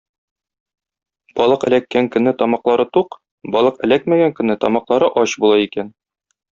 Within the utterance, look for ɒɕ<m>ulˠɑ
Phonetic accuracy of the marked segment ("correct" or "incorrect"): incorrect